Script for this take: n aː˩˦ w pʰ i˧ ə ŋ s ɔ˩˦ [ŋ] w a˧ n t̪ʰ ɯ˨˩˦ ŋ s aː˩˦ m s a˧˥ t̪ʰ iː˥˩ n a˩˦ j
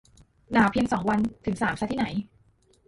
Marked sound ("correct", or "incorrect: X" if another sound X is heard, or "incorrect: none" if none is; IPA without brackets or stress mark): correct